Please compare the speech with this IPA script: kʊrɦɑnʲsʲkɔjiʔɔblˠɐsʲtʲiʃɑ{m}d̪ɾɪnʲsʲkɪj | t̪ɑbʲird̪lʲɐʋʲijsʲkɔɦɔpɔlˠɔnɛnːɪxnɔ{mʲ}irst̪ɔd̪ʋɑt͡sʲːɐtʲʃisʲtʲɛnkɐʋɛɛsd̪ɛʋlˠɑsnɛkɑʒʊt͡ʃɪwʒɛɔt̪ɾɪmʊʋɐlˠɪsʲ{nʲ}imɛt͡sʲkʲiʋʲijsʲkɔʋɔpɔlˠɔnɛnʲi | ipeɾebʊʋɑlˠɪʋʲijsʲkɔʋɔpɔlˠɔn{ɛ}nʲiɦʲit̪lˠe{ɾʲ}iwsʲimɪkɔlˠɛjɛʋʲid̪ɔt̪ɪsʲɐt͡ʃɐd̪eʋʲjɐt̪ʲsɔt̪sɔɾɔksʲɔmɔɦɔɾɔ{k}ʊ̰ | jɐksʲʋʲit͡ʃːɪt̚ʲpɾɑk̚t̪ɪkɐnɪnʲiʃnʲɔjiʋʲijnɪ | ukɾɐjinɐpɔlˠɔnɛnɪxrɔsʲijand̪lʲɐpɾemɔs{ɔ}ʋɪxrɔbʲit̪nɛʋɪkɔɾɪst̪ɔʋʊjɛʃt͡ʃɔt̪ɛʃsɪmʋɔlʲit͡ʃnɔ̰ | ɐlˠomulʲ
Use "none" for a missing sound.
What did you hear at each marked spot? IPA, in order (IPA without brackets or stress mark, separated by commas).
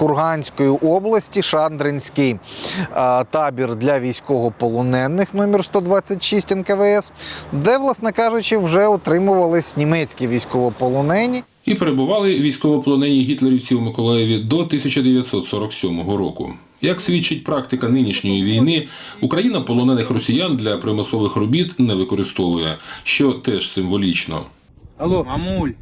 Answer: n, mʲ, nʲ, ɛ, ɾʲ, k, ɔ